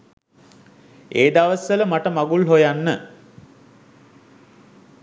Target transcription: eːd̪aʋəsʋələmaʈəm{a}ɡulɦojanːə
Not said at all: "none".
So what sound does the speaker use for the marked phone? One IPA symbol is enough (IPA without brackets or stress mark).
a